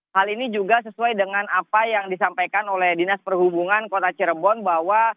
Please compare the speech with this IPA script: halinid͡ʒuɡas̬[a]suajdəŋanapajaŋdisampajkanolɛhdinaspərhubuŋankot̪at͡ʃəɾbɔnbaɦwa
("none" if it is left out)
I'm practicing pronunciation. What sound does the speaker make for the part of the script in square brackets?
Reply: ə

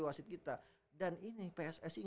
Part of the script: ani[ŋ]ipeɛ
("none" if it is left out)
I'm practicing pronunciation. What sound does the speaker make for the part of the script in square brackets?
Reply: n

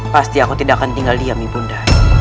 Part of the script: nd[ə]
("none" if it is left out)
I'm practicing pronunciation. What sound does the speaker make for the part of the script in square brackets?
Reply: a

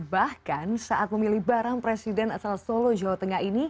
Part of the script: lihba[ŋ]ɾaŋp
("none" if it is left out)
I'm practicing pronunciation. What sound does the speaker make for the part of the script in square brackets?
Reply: none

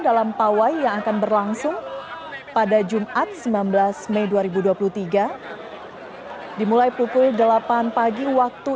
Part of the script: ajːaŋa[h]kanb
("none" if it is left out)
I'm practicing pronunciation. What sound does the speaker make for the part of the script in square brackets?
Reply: none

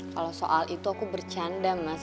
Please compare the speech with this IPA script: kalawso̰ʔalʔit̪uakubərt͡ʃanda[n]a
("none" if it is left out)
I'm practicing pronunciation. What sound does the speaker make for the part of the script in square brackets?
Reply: m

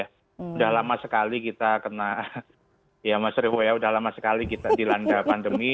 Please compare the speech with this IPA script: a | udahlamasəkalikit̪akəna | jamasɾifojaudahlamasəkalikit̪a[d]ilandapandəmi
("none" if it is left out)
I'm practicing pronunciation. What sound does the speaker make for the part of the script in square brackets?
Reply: d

